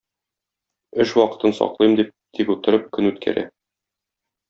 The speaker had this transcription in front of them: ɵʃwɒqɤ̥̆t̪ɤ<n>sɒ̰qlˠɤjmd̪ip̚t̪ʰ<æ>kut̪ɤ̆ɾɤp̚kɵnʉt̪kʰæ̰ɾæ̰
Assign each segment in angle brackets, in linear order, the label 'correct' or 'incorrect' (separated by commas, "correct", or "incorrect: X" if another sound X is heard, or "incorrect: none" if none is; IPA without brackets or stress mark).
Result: correct, incorrect: i